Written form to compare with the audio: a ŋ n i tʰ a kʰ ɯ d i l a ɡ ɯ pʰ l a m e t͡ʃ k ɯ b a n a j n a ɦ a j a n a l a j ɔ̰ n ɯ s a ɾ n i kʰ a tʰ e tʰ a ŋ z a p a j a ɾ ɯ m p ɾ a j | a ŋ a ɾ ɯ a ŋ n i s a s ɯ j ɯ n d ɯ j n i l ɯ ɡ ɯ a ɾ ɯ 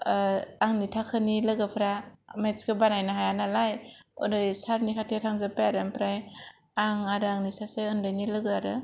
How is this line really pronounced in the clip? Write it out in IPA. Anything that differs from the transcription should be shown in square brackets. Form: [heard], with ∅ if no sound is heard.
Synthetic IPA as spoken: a ŋ n i tʰ a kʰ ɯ [n] i l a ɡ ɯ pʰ [ɾ] a m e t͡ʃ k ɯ b a n a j n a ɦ a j a n a l a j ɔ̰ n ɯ s a ɾ n i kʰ a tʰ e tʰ a ŋ z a p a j a ɾ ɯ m p ɾ a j | a ŋ a ɾ ɯ a ŋ n i s a s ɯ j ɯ n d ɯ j n i l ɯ ɡ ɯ a ɾ ɯ